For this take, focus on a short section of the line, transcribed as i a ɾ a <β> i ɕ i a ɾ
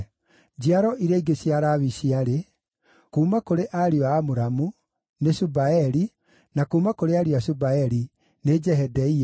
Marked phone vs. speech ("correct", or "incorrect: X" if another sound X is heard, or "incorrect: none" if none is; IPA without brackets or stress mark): correct